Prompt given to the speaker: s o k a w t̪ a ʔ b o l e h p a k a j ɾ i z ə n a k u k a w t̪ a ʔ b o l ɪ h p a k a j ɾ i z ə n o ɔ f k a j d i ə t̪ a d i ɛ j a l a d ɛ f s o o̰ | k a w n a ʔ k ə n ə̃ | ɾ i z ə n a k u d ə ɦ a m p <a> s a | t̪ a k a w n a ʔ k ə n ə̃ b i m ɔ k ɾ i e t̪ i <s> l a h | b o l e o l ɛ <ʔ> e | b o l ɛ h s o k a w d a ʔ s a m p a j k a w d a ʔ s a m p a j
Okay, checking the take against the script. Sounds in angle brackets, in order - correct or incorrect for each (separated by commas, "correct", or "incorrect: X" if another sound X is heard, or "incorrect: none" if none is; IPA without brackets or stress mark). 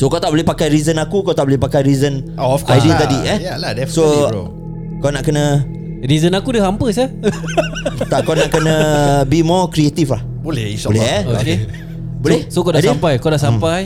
incorrect: ə, incorrect: f, incorrect: k